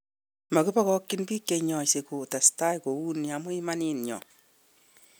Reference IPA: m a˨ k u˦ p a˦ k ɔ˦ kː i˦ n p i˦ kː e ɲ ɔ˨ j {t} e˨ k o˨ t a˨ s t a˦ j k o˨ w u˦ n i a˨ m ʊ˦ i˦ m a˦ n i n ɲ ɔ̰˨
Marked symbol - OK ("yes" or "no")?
no